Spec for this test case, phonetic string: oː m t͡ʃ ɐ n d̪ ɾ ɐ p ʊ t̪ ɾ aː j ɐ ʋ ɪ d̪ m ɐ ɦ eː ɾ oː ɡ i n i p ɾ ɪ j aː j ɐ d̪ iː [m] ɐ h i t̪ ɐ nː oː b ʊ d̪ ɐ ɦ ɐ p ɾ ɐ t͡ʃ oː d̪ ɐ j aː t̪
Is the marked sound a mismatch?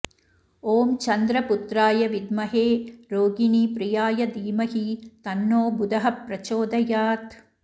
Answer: no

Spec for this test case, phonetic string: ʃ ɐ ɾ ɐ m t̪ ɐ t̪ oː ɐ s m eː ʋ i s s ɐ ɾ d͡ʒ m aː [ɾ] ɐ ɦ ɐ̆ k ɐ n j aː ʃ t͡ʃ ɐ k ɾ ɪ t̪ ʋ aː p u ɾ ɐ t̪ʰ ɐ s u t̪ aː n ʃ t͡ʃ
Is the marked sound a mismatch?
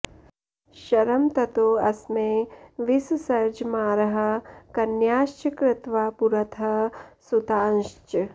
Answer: no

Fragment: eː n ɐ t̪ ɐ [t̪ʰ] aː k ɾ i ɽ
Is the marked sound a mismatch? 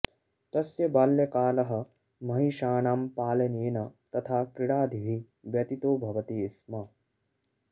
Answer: no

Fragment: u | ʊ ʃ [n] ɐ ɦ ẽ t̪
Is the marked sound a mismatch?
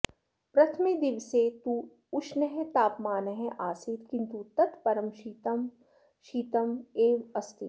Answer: no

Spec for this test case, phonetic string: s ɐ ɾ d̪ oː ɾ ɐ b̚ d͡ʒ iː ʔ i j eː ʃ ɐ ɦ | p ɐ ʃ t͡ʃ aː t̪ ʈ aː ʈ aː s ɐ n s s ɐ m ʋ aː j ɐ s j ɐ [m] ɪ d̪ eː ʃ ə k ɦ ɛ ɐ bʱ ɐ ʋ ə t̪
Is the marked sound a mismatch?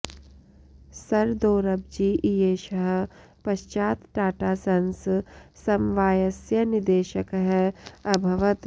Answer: yes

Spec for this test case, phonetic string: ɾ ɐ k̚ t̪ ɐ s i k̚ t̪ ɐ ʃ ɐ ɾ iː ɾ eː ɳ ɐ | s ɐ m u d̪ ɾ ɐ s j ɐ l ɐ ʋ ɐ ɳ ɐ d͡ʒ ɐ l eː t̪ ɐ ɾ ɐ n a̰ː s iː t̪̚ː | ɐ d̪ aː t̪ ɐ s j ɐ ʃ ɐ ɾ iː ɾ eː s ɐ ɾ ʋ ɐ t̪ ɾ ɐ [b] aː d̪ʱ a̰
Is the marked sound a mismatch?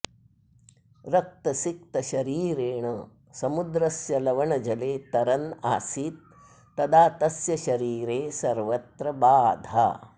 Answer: no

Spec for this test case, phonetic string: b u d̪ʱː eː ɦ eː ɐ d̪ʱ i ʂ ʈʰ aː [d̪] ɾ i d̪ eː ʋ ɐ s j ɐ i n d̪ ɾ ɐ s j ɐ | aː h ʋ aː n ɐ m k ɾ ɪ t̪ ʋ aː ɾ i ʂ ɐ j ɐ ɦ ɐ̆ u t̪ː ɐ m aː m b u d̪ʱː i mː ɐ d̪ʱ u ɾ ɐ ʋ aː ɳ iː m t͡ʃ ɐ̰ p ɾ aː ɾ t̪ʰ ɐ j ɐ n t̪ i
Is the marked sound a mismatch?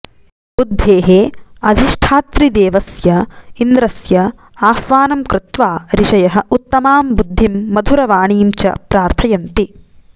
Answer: yes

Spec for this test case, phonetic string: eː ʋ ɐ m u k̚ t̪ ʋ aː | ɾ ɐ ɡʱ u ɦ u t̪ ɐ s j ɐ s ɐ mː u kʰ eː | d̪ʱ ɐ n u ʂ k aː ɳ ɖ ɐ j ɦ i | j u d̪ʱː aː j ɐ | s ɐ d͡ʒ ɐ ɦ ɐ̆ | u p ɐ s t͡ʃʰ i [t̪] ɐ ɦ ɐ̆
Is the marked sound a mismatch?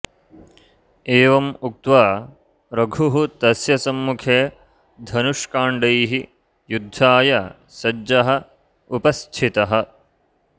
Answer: no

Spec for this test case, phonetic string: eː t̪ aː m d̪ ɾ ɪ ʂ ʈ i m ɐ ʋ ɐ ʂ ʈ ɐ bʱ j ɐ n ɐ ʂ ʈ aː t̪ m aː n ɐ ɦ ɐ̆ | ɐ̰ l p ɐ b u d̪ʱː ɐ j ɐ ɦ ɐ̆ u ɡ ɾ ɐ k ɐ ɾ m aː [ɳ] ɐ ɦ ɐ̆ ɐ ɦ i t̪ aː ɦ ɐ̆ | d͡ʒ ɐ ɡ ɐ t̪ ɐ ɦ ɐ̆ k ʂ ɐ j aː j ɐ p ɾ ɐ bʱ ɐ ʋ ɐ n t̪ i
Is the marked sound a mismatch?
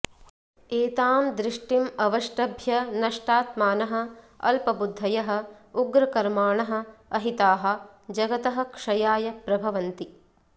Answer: no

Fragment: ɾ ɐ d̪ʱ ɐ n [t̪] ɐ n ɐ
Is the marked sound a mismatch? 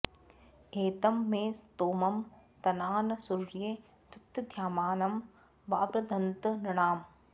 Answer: no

